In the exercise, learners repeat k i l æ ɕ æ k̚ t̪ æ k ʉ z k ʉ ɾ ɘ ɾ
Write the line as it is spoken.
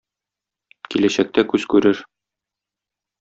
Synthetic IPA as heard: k i l æ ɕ æ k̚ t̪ æ k ʉ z k ʉ ɾ ɘ ɾ